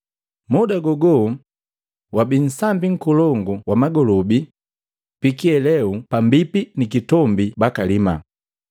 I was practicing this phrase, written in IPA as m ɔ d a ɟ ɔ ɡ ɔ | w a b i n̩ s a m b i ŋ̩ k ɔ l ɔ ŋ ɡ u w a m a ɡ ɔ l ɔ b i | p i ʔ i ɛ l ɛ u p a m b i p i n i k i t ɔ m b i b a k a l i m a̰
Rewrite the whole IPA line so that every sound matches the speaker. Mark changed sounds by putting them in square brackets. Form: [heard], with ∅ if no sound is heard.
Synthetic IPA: m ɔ d a [ɡ] ɔ ɡ ɔ | w a b i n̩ s a m b i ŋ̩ k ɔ l ɔ ŋ ɡ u w a m a ɡ ɔ l ɔ b i | p i [k] i ɛ l ɛ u p a m b i p i n i k i t ɔ m b i b a k a l i m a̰